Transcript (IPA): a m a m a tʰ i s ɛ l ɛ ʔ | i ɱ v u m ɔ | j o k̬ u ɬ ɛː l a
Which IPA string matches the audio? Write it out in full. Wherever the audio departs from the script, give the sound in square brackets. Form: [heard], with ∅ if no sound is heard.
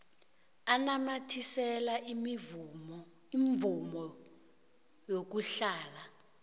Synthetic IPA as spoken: a [n] a m a tʰ i s ɛ l [a] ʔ | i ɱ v u m ɔ | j o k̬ u ɬ [aː] l a